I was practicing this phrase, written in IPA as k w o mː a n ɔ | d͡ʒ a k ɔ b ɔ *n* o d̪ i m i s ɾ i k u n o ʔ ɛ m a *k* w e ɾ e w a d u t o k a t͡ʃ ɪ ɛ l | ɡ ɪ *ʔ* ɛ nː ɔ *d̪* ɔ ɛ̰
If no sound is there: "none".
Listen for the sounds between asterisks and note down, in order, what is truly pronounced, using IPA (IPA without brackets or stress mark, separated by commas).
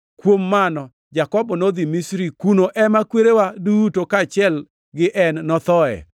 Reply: n, k, ʔ, t̪